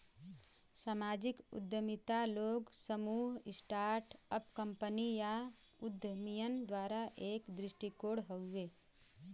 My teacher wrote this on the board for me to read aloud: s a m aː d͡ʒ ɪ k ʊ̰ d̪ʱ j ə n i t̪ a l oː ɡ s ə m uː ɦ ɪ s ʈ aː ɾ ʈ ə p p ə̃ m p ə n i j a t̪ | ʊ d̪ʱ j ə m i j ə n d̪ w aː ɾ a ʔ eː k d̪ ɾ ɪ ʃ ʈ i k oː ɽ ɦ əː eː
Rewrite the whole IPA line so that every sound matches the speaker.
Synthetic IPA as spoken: s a m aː d͡ʒ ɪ k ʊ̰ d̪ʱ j ə m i t̪ a l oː ɡ s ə m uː ɦ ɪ s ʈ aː ɾ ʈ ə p k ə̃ m p ə n i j a | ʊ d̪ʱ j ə m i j ə n d̪ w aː ɾ a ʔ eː k d̪ ɾ ɪ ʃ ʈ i k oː ɽ ɦ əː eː